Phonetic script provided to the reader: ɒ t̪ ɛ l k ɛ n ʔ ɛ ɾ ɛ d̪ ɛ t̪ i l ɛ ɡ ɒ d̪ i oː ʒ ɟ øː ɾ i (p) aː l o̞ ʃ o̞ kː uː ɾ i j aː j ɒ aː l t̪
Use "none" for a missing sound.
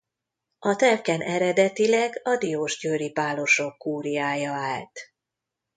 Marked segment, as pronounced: p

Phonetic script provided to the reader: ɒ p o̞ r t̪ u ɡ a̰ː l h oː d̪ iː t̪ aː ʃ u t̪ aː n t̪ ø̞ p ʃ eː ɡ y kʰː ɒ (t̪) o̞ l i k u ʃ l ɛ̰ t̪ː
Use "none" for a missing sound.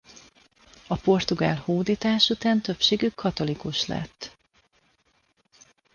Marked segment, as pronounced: t̪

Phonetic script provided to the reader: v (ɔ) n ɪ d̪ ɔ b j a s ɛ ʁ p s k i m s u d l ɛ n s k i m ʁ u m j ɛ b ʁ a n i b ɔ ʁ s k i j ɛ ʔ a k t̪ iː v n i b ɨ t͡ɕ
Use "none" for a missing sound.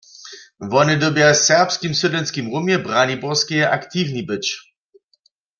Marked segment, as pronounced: ɔ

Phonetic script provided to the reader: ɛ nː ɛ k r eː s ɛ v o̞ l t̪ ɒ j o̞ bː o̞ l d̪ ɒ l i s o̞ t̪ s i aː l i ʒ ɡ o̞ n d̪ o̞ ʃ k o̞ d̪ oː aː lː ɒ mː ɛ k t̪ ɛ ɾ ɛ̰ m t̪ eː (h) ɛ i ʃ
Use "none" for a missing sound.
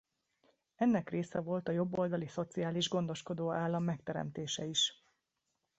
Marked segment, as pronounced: ʃ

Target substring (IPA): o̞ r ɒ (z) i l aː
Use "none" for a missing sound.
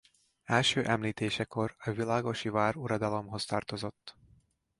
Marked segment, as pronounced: v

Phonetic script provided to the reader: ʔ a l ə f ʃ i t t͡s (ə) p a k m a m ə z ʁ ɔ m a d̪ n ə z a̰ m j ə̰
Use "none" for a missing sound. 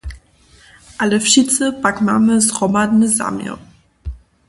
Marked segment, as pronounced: ə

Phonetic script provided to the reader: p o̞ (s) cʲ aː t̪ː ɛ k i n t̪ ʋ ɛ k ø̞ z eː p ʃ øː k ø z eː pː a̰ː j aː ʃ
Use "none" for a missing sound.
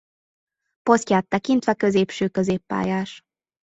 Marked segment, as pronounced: s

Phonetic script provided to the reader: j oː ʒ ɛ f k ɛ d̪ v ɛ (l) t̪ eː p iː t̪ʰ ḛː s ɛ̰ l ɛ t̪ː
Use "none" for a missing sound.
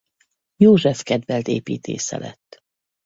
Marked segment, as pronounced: l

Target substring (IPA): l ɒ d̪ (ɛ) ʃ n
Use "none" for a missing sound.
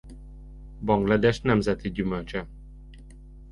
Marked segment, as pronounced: ɛ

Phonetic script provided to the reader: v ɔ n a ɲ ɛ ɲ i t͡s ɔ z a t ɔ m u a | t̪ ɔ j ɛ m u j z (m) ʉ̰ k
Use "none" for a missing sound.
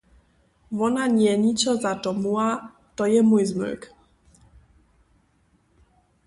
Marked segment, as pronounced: m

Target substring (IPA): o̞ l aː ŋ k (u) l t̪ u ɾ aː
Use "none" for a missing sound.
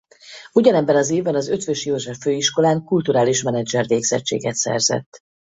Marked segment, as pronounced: u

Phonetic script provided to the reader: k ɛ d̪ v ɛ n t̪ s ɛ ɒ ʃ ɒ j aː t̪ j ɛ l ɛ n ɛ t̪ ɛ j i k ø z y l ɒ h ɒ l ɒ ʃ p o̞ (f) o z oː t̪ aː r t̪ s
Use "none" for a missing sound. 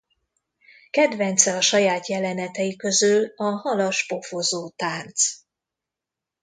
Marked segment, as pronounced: f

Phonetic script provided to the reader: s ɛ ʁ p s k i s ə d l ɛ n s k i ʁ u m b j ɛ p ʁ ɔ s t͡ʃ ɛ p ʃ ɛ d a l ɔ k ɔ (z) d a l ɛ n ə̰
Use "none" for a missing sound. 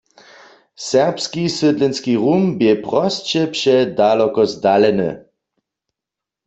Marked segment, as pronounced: z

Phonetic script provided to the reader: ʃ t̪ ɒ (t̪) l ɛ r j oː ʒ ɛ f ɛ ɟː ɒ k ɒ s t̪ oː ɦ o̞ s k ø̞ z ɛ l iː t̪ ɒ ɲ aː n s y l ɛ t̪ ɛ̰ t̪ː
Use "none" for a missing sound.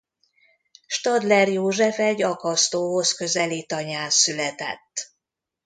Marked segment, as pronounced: d̪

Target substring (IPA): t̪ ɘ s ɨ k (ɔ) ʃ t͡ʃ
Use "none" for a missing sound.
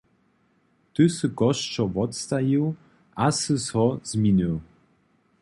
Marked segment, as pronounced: ɔ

